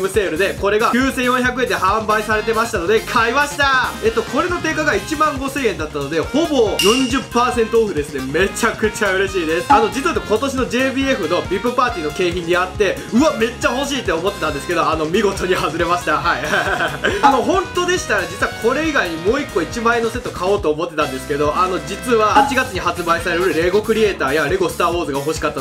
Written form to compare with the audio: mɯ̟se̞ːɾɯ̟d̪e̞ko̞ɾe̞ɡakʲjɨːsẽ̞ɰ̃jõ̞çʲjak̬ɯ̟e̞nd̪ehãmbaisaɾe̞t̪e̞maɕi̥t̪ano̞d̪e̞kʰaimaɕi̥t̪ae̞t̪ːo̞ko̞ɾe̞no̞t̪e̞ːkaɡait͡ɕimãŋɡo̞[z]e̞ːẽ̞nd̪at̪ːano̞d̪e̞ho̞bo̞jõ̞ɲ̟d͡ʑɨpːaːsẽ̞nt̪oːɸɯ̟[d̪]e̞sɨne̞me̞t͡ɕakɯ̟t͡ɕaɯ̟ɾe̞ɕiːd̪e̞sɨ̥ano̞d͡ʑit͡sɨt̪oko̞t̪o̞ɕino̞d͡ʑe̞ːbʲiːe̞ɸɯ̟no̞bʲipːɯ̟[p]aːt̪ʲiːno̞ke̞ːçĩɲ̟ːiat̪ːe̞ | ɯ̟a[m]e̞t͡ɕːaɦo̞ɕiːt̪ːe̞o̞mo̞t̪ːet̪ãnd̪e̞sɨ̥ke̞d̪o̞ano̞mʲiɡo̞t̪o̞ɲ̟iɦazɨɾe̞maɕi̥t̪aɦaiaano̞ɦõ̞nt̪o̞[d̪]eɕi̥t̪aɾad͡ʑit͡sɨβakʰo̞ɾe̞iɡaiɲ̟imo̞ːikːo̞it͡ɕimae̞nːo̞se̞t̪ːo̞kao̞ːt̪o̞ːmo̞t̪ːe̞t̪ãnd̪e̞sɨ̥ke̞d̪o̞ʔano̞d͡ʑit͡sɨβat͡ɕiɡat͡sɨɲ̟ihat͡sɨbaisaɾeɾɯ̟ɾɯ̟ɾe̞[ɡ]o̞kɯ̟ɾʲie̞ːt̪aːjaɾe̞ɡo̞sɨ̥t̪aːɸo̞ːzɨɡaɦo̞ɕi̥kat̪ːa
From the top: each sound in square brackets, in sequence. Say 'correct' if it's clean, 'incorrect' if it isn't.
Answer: incorrect, correct, correct, correct, correct, correct

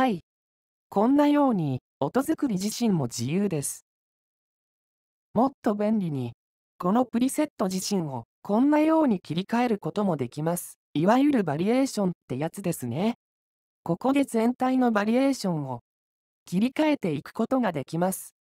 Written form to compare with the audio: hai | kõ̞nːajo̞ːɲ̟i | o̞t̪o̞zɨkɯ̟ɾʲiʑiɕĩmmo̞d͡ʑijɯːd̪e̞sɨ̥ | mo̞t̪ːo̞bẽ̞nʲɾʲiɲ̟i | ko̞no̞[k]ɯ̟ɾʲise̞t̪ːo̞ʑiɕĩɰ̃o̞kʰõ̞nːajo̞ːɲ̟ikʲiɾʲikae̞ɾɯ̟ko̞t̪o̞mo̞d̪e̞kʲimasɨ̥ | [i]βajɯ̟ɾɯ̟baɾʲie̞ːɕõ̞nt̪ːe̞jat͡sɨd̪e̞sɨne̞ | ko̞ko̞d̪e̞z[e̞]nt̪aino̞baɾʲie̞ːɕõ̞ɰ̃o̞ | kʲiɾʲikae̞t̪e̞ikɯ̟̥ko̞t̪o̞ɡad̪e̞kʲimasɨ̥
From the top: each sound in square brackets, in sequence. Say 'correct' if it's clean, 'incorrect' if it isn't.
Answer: incorrect, correct, incorrect

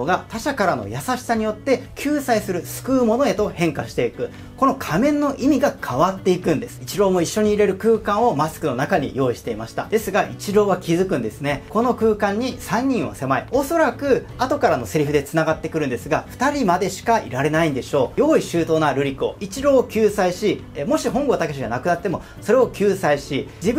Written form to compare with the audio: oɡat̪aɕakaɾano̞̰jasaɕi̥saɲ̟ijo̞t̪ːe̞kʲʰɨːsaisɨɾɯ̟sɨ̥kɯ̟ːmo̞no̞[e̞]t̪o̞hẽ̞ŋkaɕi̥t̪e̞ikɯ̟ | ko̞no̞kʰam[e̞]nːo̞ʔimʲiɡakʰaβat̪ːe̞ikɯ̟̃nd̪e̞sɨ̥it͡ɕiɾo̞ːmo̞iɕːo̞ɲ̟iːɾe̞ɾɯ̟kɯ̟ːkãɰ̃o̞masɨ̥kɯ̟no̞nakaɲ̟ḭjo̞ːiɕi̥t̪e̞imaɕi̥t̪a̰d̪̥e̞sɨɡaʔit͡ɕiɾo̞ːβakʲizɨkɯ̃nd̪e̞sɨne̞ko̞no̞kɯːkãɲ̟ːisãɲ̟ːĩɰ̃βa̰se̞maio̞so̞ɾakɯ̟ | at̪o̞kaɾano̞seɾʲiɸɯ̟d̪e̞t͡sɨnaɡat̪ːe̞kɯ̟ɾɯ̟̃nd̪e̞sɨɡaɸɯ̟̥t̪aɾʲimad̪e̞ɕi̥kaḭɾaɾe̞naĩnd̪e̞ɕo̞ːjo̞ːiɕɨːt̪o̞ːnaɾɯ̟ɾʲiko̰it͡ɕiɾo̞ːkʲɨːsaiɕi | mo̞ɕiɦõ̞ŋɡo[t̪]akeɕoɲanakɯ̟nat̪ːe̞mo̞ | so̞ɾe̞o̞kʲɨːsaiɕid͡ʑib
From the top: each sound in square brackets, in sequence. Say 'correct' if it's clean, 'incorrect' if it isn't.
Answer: correct, incorrect, correct

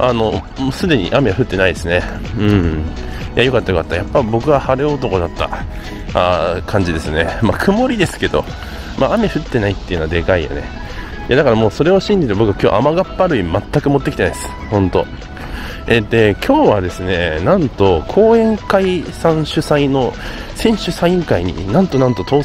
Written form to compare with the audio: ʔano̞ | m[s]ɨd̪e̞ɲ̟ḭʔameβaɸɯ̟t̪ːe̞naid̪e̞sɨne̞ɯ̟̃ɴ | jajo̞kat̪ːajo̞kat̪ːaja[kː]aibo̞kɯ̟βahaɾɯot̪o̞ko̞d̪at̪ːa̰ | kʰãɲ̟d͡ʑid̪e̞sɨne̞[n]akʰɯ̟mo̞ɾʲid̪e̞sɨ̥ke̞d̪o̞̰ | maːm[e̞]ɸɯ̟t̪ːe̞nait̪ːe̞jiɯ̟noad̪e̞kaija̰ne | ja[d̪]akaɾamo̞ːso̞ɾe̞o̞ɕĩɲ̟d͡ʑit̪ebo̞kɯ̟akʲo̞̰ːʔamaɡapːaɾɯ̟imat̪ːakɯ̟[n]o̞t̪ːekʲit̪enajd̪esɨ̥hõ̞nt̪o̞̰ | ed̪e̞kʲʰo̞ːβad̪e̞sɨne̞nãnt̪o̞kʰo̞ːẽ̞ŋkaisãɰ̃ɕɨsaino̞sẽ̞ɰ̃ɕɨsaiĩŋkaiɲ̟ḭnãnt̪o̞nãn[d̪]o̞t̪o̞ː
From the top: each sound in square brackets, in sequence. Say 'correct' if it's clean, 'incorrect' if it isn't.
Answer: correct, incorrect, incorrect, correct, correct, incorrect, incorrect

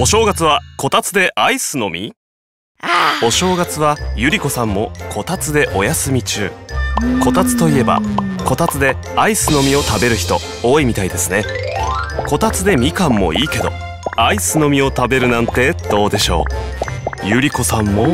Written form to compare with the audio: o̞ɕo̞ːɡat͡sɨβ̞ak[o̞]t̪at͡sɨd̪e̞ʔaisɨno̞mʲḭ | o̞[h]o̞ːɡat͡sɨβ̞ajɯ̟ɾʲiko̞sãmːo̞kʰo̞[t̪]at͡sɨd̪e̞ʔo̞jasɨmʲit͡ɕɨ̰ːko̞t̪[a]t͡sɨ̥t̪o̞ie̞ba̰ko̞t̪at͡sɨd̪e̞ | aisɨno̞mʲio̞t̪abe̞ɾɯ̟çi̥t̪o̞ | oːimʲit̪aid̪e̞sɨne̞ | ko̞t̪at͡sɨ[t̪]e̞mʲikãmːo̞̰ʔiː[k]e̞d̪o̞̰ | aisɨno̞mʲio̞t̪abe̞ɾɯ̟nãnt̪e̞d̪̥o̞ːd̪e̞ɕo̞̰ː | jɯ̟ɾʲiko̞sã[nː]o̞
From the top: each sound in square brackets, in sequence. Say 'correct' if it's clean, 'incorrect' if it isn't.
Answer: correct, incorrect, correct, correct, incorrect, correct, incorrect

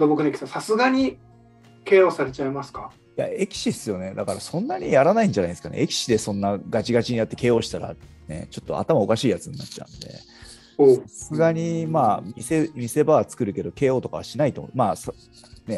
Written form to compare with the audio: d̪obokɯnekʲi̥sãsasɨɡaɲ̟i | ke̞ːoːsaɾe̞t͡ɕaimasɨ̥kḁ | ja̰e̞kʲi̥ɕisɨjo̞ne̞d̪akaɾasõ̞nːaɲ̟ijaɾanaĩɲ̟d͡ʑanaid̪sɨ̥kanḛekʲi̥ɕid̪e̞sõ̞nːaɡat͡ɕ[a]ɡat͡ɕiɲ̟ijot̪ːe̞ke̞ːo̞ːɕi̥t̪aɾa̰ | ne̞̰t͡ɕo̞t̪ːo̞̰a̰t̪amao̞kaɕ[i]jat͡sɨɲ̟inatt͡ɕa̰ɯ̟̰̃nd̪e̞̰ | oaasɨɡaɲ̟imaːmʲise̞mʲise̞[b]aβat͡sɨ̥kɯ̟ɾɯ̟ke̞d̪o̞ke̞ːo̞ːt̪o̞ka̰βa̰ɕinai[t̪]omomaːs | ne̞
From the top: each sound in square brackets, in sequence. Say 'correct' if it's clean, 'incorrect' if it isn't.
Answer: incorrect, incorrect, correct, correct

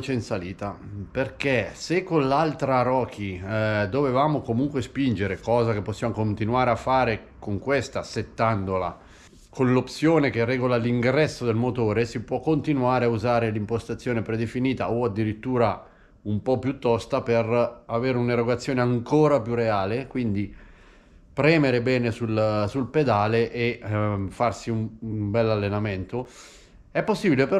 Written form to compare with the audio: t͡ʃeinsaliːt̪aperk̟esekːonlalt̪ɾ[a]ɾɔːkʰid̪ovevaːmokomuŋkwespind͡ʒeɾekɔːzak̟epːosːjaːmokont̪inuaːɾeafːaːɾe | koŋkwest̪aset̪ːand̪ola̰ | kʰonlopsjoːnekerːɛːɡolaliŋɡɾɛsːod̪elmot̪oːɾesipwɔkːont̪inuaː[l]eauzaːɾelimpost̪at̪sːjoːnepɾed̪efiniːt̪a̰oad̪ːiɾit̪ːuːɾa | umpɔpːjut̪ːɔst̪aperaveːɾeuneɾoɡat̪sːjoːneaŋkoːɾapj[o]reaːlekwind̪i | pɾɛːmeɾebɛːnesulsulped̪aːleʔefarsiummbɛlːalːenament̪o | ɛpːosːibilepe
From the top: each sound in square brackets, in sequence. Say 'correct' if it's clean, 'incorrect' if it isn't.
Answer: correct, incorrect, incorrect

